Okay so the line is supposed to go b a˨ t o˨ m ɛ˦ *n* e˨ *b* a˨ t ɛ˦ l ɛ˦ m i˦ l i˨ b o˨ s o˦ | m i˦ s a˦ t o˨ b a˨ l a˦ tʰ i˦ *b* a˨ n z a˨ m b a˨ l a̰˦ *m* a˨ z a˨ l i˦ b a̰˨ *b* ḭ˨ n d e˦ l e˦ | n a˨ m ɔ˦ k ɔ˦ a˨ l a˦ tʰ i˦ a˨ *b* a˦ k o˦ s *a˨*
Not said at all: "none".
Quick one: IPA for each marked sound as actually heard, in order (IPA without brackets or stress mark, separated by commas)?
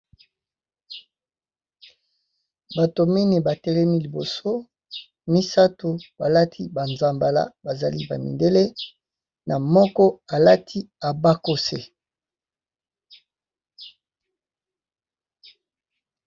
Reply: n, b, b, b, m, b, e˨